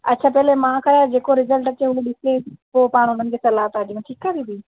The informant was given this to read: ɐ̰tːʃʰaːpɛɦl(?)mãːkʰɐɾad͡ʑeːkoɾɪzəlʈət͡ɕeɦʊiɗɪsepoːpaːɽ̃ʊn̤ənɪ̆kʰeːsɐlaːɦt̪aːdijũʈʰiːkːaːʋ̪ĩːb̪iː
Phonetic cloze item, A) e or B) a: A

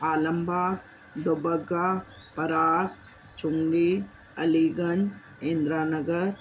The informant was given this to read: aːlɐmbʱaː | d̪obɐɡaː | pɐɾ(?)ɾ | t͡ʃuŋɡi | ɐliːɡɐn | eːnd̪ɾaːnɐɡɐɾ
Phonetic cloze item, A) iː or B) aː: B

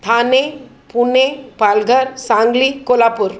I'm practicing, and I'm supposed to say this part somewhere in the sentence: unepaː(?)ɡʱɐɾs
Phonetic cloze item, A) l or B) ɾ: A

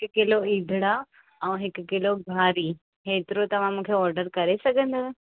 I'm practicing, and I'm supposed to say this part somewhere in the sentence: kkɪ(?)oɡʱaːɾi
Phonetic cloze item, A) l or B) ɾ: A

